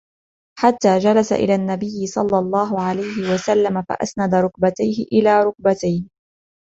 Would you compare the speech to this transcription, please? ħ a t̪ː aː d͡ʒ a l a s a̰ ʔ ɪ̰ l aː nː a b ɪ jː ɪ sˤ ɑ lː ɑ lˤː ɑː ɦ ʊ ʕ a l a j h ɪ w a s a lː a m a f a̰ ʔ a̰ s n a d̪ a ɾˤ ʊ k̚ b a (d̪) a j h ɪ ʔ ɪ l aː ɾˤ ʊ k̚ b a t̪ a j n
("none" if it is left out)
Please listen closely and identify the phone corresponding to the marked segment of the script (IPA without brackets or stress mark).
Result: t̪